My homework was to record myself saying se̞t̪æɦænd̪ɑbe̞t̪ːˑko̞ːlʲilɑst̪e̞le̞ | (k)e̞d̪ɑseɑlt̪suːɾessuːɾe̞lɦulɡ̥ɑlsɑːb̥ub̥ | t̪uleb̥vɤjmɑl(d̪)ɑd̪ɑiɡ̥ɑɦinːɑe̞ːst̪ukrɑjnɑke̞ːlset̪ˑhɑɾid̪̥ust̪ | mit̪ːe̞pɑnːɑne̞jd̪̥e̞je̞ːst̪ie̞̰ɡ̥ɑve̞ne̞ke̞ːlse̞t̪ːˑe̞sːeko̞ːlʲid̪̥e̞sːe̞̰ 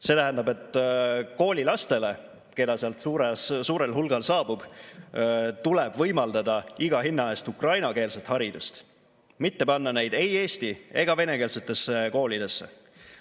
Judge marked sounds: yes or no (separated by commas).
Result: yes, yes